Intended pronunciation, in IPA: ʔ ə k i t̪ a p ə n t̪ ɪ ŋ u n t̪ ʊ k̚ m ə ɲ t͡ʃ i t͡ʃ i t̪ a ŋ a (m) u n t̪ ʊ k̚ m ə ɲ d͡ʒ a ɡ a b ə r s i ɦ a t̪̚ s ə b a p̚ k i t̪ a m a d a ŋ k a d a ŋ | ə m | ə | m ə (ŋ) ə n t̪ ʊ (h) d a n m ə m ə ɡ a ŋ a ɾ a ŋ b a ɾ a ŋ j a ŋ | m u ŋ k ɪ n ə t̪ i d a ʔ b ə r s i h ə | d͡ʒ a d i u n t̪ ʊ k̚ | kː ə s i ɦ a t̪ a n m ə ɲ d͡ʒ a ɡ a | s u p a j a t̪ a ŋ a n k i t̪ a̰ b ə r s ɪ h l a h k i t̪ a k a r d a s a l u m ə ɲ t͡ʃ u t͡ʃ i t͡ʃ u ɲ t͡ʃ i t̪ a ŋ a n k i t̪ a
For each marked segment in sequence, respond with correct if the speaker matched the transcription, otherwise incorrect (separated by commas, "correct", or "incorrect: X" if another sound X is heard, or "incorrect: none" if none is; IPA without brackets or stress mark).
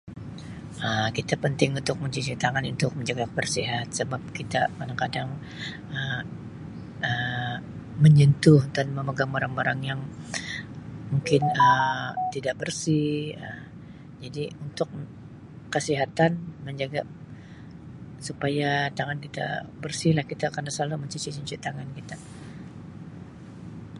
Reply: incorrect: n, incorrect: ɲ, correct